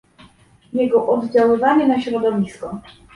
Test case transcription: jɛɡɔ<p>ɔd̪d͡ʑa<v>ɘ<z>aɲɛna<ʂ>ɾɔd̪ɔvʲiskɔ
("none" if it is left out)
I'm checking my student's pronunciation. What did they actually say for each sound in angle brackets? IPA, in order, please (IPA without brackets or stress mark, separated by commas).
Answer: ʔ, w, v, ɕ